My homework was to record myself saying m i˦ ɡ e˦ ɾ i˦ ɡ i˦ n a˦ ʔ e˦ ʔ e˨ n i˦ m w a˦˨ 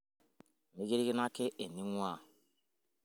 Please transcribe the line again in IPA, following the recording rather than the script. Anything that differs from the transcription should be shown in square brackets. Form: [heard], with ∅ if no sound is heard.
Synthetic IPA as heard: m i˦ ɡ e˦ ɾ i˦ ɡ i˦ n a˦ [k] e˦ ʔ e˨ n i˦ [ŋ] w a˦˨